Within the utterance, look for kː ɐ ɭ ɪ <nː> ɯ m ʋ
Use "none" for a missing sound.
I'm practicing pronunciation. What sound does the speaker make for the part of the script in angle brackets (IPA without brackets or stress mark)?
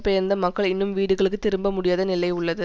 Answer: nː